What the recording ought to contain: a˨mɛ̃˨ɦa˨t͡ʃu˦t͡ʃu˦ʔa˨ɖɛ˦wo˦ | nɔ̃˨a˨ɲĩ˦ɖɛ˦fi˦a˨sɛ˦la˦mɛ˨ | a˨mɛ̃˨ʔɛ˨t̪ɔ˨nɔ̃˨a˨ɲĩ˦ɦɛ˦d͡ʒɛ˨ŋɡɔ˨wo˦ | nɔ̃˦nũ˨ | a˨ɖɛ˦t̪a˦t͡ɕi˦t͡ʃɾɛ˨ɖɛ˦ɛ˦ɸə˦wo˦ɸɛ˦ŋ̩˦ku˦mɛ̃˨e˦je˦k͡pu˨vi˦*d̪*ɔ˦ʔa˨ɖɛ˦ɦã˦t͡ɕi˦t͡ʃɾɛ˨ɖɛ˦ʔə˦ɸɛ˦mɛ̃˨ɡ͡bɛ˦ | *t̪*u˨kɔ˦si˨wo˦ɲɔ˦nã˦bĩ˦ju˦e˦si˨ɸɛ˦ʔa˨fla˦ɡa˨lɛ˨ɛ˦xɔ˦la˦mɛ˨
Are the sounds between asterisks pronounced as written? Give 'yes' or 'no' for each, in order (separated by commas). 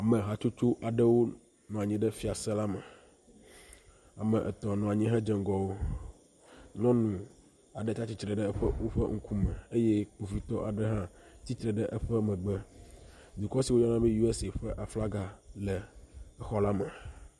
no, no